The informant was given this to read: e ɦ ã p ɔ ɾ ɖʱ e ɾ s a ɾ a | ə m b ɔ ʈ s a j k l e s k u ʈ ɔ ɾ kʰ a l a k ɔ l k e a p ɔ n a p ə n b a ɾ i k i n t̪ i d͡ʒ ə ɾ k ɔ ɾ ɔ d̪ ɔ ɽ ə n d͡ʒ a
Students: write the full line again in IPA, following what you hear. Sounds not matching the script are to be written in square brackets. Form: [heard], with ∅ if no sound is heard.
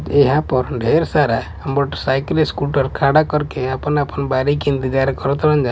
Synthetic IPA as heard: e ɦ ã p ɔ ɾ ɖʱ e ɾ s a ɾ a | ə m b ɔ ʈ s a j k l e s k u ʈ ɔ ɾ kʰ a [ɽ] a k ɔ [ɾ] k e a p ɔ n a p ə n b a ɾ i k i n t̪ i d͡ʒ [a] ɾ k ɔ ɾ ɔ [t̪] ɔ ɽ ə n d͡ʒ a